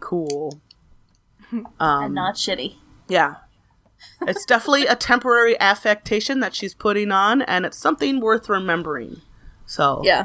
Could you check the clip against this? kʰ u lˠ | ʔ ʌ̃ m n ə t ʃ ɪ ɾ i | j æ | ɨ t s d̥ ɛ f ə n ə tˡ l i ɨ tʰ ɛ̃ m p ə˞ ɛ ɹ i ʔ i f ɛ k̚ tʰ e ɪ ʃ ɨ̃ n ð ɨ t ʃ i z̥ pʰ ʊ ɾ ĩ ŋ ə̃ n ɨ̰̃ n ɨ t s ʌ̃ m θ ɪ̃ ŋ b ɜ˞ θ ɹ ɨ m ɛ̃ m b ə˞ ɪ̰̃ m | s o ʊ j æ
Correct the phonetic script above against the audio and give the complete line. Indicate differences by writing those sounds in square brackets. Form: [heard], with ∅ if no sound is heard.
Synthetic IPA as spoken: kʰ u lˠ | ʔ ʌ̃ m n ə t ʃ ɪ ɾ i | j æ | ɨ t s d̥ ɛ f ə n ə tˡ l i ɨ tʰ ɛ̃ m p ə˞ ɛ ɹ i ʔ [æ] f ɛ k̚ tʰ e ɪ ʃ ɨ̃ n ð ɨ t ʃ i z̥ pʰ ʊ ɾ [ɪ̃] ŋ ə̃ n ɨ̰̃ n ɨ t s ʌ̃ m θ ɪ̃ ŋ [w] ɜ˞ θ ɹ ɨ m ɛ̃ m b ə˞ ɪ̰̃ [ŋ] | s o ʊ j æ